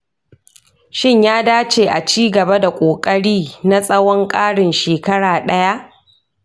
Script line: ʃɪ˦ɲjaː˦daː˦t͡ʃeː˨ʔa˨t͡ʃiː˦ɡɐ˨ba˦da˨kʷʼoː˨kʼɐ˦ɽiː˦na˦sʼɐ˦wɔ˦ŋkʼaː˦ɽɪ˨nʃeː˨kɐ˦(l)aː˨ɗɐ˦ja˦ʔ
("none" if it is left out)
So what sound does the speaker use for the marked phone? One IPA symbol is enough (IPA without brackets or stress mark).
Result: ɽ